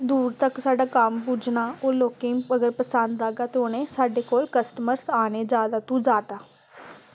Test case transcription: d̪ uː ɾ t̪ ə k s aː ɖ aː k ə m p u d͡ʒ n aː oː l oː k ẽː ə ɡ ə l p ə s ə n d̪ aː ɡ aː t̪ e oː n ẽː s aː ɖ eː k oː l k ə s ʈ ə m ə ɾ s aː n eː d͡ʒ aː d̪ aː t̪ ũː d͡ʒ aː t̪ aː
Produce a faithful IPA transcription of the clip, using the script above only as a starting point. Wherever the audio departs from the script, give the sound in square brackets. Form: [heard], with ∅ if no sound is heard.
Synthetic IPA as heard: d̪ uː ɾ t̪ ə k s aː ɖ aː k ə m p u d͡ʒ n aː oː l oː k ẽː ə ɡ ə [ɾ] p ə s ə n d̪ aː ɡ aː t̪ e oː n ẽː s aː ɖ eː k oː l k ə s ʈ ə m ə ɾ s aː n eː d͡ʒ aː d̪ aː t̪ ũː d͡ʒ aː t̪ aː

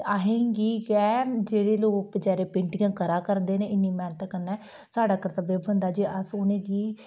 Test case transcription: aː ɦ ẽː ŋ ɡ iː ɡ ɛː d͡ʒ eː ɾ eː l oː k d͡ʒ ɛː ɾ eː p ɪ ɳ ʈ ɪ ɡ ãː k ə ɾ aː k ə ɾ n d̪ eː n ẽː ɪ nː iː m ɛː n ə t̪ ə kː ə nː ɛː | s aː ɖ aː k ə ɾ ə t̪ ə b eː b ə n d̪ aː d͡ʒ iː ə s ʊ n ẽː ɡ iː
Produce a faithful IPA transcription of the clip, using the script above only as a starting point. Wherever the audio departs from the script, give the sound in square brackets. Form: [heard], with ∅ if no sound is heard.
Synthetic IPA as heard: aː ɦ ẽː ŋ ɡ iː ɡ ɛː d͡ʒ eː [ɽ] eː l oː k d͡ʒ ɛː ɾ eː p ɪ ɳ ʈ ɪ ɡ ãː k ə ɾ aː k ə ɾ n d̪ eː n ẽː ɪ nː iː m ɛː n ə t̪ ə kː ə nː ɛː | s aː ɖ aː k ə ɾ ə t̪ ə b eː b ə n d̪ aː d͡ʒ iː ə s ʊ n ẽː ɡ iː

